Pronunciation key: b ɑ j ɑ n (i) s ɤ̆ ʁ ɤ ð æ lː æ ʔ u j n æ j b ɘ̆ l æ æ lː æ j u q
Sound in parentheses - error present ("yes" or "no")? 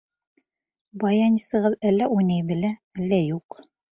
no